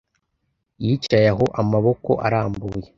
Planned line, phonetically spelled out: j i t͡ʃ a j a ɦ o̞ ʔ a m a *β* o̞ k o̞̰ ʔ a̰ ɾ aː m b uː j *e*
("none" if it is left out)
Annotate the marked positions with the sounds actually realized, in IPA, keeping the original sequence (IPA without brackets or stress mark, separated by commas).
β, e